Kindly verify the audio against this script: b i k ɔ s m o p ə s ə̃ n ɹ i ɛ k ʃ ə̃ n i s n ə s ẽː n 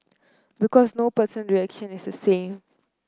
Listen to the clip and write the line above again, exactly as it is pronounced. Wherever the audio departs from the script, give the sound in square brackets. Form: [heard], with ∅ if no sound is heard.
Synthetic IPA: b i k ɔ s [n] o p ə s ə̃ n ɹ i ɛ k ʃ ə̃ n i s [d] ə s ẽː [m]